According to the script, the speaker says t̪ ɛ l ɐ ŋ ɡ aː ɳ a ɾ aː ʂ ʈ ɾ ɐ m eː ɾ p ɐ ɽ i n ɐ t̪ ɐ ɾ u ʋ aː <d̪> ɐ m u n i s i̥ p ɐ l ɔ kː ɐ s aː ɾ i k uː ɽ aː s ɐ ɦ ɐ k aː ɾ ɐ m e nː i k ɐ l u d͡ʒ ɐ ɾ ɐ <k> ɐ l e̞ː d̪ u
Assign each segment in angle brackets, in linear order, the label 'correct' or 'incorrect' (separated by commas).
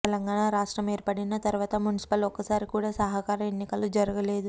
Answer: incorrect, incorrect